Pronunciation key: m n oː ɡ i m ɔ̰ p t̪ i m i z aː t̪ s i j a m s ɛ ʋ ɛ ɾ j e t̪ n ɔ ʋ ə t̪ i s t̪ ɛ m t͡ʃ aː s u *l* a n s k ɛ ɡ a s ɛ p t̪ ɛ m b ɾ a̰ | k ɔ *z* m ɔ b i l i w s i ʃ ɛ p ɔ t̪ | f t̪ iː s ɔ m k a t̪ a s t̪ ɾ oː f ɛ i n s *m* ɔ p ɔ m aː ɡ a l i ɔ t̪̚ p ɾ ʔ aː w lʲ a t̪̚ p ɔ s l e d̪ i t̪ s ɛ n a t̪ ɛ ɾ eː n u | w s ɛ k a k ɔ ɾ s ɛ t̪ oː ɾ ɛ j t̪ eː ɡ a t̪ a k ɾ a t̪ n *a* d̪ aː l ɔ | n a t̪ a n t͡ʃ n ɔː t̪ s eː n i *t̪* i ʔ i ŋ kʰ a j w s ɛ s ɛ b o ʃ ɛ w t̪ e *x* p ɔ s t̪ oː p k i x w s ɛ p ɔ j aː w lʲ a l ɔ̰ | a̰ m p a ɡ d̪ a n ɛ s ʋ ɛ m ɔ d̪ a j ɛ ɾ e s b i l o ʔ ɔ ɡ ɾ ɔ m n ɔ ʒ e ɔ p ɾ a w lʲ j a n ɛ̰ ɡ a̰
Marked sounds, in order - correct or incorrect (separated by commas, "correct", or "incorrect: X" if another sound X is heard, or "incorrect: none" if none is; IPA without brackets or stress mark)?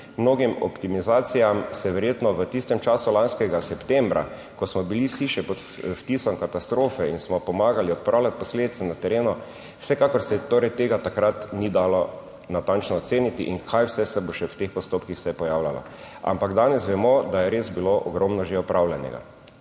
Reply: correct, incorrect: s, correct, incorrect: i, correct, correct